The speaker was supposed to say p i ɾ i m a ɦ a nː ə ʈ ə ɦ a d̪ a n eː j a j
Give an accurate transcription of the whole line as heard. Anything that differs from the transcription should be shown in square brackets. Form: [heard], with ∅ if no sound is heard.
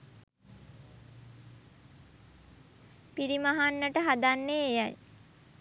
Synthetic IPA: p i ɾ i m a ɦ a nː ə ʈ ə ɦ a d̪ a [nː] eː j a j